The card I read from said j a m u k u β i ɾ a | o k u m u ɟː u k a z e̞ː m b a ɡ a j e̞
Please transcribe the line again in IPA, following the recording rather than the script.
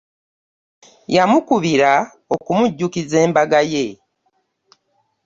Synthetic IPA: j a m u k u β i ɾ a | o k u m u ɟː u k i z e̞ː m b a ɡ a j e̞